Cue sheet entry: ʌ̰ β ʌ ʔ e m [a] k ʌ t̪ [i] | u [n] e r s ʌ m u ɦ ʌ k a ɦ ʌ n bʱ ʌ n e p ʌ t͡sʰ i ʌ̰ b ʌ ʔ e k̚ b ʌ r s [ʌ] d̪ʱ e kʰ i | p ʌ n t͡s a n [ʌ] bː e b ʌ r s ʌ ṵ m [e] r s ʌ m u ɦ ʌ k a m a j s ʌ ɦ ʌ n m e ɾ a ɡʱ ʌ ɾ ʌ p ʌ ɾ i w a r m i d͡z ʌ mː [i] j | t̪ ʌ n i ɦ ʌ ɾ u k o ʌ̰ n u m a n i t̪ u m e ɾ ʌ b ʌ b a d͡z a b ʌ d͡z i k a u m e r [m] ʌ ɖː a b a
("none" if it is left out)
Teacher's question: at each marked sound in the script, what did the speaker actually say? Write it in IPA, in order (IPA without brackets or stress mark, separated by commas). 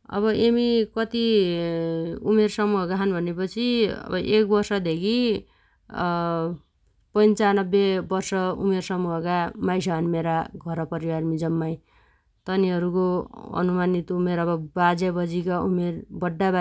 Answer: i, i, m, ʌ, ʌ, e, a, b